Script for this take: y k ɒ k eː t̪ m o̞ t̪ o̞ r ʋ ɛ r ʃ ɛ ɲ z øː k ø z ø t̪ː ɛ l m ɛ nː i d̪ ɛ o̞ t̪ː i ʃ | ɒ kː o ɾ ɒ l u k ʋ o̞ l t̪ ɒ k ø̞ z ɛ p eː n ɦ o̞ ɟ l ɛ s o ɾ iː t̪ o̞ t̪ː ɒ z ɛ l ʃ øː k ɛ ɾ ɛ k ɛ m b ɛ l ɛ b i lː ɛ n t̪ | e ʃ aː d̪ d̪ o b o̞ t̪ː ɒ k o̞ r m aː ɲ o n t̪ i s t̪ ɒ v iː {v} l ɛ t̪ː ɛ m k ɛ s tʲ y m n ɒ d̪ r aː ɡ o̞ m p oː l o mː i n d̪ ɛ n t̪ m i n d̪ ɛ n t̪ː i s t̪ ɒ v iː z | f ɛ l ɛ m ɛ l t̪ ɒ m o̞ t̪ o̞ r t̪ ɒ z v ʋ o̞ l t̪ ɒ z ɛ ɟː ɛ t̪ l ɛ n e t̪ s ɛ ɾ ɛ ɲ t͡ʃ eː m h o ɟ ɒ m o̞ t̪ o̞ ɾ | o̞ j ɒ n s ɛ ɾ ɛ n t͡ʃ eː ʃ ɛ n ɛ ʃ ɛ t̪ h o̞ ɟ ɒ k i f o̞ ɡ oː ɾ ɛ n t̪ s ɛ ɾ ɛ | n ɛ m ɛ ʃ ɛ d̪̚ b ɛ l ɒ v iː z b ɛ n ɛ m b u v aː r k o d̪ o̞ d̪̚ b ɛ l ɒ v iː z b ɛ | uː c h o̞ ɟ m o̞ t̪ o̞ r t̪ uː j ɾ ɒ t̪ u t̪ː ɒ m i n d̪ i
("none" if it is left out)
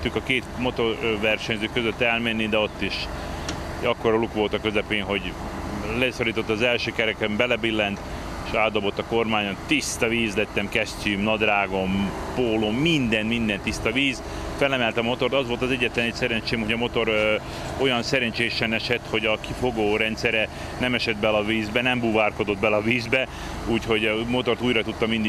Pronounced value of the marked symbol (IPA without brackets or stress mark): z